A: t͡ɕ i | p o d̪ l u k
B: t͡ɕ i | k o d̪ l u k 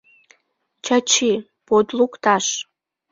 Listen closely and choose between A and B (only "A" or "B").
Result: A